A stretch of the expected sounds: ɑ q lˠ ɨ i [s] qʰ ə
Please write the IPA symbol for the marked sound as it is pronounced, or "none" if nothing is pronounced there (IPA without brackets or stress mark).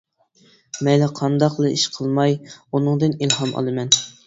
ʃ